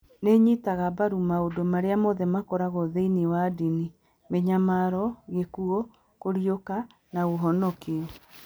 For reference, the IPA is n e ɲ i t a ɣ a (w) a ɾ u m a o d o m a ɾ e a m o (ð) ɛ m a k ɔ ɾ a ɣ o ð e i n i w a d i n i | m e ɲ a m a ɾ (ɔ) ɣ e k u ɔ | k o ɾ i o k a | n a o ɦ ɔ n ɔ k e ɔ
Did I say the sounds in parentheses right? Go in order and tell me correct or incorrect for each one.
incorrect, correct, correct

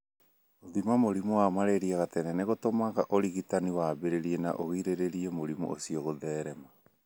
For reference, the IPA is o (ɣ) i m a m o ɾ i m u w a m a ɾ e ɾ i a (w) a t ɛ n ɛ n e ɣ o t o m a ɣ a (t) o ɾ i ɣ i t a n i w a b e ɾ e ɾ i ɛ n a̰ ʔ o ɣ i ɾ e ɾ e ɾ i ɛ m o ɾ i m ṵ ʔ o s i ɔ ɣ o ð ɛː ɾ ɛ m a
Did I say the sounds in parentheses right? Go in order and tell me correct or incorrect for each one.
incorrect, incorrect, incorrect

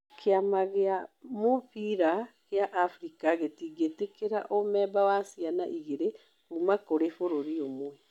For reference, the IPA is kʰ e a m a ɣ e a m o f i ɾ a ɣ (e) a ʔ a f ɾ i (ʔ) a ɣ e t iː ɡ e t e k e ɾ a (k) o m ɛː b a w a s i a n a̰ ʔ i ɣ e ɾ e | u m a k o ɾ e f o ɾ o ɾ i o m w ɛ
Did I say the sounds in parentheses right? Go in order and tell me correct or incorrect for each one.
correct, incorrect, incorrect

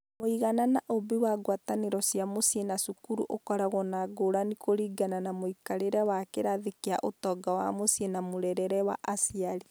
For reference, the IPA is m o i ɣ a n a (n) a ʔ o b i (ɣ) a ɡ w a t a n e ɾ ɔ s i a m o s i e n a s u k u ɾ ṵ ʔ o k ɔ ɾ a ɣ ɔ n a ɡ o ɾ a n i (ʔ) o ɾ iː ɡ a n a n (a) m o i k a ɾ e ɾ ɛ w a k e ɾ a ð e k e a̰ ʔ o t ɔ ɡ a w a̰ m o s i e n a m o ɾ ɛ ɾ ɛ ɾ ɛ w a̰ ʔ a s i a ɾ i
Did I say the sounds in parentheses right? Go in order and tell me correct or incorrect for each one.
correct, incorrect, incorrect, correct

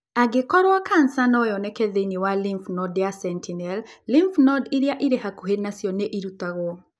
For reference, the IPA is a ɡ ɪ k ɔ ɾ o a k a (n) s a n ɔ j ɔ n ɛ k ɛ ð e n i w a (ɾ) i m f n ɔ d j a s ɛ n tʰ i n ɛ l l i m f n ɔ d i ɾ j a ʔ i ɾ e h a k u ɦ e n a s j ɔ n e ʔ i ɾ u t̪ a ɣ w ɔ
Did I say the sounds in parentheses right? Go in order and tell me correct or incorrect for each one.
correct, incorrect

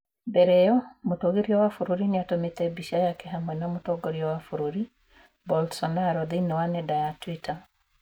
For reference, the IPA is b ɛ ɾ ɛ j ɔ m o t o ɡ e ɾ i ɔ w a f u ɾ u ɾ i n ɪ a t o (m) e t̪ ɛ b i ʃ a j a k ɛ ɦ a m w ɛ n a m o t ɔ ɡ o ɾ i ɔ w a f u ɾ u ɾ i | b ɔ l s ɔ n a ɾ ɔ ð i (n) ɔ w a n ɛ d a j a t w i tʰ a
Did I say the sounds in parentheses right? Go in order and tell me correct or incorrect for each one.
correct, correct

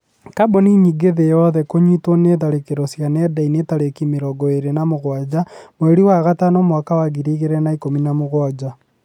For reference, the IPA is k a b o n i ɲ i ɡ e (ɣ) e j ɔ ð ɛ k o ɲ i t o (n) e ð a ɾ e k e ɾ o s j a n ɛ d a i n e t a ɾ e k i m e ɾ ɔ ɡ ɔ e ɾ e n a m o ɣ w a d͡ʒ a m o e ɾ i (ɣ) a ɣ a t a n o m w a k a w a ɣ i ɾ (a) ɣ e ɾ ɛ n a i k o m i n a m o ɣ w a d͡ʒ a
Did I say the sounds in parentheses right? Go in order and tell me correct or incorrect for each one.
incorrect, correct, incorrect, incorrect

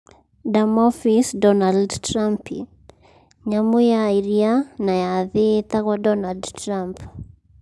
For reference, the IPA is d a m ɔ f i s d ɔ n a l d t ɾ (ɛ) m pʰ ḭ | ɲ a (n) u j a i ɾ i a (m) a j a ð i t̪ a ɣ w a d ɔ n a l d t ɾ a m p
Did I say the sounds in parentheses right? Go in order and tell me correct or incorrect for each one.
incorrect, incorrect, incorrect

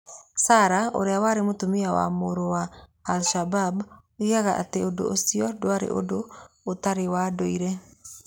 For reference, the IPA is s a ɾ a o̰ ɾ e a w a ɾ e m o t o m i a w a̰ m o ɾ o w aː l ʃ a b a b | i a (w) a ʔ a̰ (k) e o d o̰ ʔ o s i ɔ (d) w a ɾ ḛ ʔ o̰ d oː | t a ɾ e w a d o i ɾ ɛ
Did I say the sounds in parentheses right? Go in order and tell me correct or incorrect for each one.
incorrect, incorrect, correct

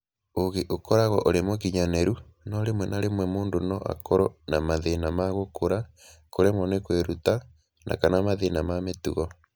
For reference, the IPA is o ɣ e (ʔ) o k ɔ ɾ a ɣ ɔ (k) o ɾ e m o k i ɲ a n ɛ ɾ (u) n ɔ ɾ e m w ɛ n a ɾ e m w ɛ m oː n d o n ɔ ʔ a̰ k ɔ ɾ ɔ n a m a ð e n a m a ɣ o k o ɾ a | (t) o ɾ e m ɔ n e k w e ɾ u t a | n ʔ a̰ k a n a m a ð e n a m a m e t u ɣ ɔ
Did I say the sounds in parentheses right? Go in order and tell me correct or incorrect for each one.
correct, incorrect, correct, incorrect

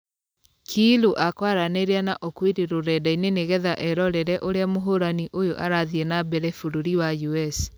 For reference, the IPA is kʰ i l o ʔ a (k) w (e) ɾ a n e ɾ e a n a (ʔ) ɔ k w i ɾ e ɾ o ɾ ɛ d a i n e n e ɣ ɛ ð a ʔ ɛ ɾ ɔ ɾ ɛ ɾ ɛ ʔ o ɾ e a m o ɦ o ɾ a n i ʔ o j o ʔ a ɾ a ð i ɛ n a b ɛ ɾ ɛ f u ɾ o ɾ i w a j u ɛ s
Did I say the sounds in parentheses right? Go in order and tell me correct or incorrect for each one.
correct, incorrect, correct

